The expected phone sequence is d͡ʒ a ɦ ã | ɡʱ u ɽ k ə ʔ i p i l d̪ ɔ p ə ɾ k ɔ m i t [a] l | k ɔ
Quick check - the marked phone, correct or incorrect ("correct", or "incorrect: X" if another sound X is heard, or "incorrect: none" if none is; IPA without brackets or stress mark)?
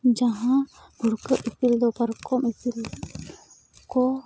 incorrect: i